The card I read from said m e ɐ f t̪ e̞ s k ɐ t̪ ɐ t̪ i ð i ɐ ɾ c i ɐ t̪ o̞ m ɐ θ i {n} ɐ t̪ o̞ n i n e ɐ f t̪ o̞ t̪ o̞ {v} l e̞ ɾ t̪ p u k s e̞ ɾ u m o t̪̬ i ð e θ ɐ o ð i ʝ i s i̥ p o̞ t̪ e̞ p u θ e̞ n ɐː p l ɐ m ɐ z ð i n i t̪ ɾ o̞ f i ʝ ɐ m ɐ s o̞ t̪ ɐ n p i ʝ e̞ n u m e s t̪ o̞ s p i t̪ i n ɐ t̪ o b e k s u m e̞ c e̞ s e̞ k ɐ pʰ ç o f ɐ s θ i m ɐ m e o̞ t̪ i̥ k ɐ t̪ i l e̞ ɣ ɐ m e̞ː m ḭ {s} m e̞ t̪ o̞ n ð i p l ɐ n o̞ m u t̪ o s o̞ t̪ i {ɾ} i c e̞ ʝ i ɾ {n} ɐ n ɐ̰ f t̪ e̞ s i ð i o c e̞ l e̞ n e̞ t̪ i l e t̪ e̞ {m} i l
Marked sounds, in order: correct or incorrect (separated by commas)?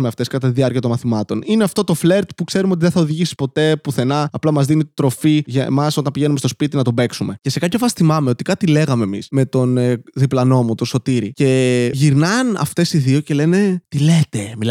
incorrect, incorrect, correct, correct, correct, correct